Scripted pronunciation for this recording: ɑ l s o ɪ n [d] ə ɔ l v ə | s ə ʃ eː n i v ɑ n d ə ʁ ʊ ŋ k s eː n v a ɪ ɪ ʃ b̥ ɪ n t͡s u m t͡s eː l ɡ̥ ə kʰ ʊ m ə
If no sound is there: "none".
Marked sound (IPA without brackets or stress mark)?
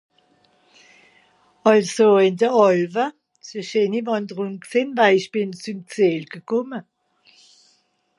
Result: d